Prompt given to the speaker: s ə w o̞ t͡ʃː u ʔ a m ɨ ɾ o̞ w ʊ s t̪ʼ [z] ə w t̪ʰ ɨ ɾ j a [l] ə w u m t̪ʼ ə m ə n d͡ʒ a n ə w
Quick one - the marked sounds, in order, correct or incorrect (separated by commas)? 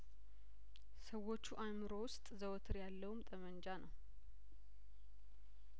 correct, incorrect